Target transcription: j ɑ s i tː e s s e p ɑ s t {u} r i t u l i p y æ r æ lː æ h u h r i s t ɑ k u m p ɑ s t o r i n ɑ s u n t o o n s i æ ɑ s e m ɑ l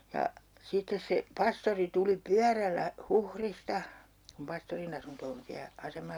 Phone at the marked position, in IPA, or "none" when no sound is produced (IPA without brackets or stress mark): o